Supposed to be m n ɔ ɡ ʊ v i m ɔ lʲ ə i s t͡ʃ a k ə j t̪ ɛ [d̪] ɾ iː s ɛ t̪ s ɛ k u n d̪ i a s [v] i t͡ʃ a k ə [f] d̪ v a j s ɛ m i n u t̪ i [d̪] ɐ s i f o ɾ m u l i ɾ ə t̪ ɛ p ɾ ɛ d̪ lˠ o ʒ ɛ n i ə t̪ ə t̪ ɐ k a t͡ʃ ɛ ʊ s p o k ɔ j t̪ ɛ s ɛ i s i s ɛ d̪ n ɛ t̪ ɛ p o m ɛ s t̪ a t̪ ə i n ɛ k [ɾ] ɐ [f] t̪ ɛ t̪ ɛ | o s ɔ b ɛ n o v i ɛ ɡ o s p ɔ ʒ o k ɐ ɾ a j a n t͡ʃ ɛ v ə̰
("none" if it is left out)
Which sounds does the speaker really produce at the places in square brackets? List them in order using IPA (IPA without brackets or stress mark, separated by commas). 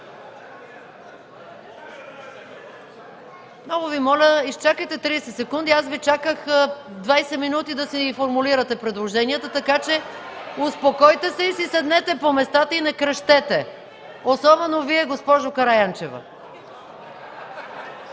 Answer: t̪, v, x, d̪, ɾ, ʃ